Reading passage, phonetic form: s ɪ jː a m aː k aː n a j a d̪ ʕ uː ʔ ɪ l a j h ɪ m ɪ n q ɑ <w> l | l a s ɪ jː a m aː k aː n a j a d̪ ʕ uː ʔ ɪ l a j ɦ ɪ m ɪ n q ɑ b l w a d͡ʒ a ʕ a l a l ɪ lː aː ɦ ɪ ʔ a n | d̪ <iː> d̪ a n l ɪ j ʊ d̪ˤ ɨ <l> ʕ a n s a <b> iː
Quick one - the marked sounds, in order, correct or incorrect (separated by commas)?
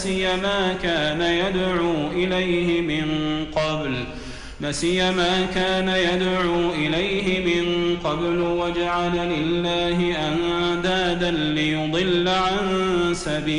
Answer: incorrect, incorrect, incorrect, correct